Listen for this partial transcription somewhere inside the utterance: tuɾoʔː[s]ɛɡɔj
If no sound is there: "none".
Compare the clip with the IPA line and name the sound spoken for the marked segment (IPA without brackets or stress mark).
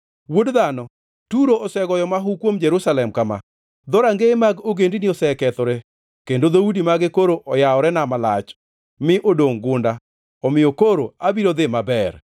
s